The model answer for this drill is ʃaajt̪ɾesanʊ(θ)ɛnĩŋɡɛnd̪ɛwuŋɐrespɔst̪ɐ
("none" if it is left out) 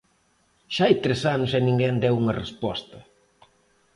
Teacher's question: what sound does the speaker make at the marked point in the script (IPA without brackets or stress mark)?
s